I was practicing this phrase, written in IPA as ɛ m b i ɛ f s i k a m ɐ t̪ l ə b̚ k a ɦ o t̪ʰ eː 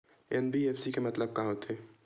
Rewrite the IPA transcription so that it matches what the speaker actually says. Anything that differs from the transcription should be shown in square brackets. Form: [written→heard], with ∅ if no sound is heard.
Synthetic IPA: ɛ [m→n] b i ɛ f s i k [a→e] m ɐ t̪ l ə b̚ k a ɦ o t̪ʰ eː

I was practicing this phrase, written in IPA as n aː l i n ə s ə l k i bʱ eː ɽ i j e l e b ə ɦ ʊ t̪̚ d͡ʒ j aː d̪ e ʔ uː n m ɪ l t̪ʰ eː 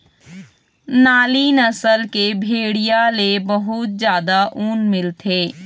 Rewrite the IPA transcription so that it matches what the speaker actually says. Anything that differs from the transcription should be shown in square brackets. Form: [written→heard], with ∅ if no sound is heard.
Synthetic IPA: n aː l i n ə s ə l k [i→e] bʱ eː ɽ i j [e→a] l e b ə ɦ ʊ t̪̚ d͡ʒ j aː d̪ [e→a] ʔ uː n m ɪ l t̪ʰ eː

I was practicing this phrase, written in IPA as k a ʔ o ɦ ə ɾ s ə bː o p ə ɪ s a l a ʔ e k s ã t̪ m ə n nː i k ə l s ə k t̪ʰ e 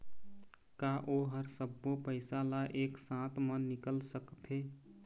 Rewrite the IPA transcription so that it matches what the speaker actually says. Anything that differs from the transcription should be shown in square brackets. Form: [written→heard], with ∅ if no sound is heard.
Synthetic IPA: k a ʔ o ɦ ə ɾ s ə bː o p ə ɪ s a l a ʔ e k s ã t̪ m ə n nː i k ə l s ə k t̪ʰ e

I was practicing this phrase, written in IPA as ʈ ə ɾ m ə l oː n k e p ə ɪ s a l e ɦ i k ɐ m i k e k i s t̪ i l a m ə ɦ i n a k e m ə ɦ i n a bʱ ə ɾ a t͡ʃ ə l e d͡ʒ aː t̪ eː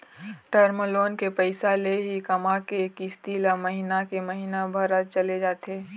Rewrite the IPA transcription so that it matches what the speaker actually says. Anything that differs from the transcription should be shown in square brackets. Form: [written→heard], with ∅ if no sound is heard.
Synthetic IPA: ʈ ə ɾ m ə l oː n k e p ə ɪ s a l e ɦ i k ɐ m [i→a] k e k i s t̪ i l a m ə ɦ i n a k e m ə ɦ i n a bʱ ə ɾ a t͡ʃ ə l e d͡ʒ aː t̪ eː

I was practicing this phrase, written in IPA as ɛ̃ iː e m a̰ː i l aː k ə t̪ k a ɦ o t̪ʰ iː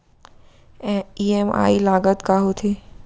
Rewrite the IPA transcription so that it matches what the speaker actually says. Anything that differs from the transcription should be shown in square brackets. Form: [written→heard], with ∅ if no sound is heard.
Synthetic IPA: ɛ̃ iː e m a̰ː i l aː [k→ɡ] ə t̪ k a ɦ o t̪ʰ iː

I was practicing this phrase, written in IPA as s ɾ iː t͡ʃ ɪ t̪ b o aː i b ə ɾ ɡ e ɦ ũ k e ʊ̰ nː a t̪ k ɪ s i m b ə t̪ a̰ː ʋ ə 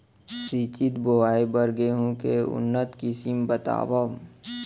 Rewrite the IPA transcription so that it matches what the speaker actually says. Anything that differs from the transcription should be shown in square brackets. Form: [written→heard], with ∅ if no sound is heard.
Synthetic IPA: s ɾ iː t͡ʃ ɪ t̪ b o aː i b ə ɾ ɡ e ɦ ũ k e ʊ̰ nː [a→ə] t̪ k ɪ s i m b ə t̪ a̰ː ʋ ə

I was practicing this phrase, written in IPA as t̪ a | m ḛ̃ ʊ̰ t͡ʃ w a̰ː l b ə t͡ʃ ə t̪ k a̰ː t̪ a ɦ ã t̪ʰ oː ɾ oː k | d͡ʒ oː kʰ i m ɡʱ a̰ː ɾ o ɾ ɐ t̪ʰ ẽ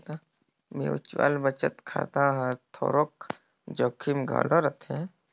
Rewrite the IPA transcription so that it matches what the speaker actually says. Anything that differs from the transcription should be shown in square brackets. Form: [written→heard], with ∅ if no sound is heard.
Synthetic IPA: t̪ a | m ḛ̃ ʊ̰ t͡ʃ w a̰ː l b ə t͡ʃ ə t̪ [k→kʰ] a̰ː t̪ a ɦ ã t̪ʰ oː ɾ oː k | d͡ʒ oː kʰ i m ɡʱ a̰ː [ɾ→l] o ɾ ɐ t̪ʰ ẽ

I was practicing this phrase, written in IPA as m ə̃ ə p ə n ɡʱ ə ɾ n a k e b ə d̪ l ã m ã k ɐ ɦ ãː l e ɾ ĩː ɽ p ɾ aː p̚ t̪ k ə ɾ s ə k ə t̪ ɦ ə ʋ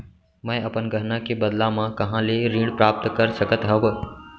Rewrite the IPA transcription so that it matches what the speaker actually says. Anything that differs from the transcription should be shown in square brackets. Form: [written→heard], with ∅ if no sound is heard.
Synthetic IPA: m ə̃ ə p ə n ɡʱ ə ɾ n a k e b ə d̪ l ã m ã k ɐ ɦ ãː l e ɾ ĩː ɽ p ɾ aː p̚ t̪ k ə ɾ s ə k ə t̪ ɦ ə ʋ

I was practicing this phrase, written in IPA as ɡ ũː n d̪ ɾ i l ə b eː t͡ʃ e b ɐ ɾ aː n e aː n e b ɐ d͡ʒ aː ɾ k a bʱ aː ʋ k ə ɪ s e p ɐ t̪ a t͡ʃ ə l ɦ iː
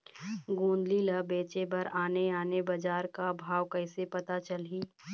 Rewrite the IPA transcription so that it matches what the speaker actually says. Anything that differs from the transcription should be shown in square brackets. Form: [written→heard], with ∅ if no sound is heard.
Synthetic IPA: ɡ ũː n d̪ [ɾ→l] i l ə b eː t͡ʃ e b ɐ ɾ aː n e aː n e b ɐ d͡ʒ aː ɾ k a bʱ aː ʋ k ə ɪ s e p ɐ t̪ a t͡ʃ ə l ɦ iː

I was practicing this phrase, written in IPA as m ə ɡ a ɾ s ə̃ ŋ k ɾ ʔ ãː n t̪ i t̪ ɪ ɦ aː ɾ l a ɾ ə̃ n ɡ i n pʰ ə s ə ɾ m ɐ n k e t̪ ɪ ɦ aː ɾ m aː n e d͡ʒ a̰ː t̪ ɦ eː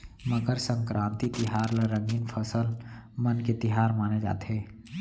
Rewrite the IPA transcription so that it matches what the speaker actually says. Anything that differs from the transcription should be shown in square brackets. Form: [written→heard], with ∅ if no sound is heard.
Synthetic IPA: m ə ɡ [a→ə] ɾ s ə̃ ŋ k ɾ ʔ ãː n t̪ i t̪ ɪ ɦ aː ɾ l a ɾ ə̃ [n→ŋ] ɡ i n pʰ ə s ə [ɾ→l] m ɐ n k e t̪ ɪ ɦ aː ɾ m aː n e d͡ʒ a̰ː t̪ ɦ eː

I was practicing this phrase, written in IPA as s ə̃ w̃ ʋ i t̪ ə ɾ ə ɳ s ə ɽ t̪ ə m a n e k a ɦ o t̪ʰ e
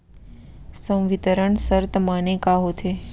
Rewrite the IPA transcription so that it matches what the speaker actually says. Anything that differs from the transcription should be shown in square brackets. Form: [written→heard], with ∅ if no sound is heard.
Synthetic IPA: s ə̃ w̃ ʋ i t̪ ə ɾ ə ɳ s ə [ɽ→ɾ] t̪ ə m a n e k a ɦ o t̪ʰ e

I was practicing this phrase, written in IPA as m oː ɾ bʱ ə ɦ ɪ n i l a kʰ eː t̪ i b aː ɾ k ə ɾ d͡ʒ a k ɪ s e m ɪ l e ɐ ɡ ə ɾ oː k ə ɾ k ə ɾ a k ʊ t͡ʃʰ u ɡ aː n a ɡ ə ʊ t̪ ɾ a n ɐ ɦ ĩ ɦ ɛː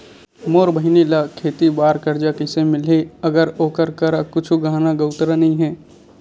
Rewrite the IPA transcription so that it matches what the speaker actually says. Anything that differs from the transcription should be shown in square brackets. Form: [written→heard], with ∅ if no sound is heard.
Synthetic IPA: m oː ɾ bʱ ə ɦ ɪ n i l a kʰ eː t̪ i b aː ɾ k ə ɾ d͡ʒ a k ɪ s e m ɪ l e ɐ ɡ ə ɾ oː k ə ɾ k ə ɾ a k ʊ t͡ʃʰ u ɡ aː n a ɡ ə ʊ t̪ ɾ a n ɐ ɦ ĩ ɦ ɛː

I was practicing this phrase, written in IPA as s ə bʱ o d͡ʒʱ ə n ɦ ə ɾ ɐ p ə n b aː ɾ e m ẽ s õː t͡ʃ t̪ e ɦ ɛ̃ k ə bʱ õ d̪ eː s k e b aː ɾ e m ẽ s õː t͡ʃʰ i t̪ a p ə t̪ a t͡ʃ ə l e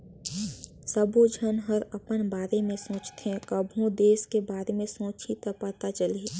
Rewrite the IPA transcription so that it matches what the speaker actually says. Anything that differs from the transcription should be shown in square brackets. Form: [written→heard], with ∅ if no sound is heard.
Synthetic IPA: s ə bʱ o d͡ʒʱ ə n ɦ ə ɾ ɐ p ə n b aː ɾ e m ẽ s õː t͡ʃ t̪ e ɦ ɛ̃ k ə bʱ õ d̪ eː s k e b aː ɾ e m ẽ s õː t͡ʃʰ i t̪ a p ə t̪ a t͡ʃ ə l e

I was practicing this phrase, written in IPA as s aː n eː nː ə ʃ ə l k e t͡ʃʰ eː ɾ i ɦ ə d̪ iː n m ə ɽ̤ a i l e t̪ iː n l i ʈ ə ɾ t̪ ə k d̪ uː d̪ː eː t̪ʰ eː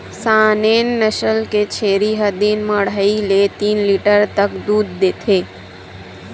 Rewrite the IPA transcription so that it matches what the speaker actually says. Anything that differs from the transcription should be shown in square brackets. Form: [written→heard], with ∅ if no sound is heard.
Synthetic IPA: s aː n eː nː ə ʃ ə l k e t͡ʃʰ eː ɾ i ɦ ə d̪ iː n m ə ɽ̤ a i l e t̪ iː n l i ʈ ə ɾ t̪ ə k d̪ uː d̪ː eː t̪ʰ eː

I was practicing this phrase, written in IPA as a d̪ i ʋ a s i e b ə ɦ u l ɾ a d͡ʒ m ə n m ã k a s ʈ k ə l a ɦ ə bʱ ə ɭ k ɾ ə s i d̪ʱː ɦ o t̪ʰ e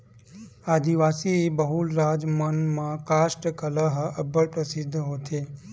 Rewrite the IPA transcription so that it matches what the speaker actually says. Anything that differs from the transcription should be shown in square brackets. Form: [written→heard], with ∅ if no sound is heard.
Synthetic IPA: a d̪ i ʋ a s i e b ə ɦ u l ɾ a d͡ʒ m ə n m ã k a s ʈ k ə l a ɦ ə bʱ ə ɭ [k→p] ɾ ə s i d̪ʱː ɦ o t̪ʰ e

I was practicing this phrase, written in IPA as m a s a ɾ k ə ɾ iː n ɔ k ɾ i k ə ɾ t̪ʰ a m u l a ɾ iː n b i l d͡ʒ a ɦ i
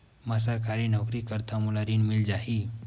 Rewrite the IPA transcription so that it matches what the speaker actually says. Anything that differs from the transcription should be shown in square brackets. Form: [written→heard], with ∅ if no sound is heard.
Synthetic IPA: m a s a ɾ k [ə→a] ɾ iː n ɔ k ɾ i k ə ɾ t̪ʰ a m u l a ɾ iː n [b→m] i l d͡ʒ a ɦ i

